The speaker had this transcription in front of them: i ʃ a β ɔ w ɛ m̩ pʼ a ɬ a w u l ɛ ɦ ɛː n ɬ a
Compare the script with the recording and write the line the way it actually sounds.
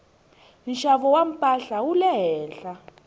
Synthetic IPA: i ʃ a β ɔ w a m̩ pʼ a ɬ a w u l ɛ ɦ ɛː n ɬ a